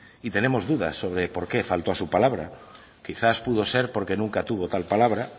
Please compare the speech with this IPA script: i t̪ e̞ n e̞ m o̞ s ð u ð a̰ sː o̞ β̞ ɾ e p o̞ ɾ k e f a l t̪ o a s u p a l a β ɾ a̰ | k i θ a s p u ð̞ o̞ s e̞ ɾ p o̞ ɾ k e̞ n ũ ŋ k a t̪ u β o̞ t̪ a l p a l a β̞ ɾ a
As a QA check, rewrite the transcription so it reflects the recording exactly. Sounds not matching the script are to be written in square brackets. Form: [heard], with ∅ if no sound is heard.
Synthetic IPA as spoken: i t̪ e̞ n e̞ m o̞ [z] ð u ð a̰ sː o̞ β̞ ɾ e p o̞ ɾ k e f a l t̪ o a s u p a l a β ɾ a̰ | k i θ a s p u ð̞ o̞ s e̞ ɾ p o̞ ɾ k e̞ n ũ ŋ k a t̪ u β o̞ t̪ a l p a l a β̞ ɾ a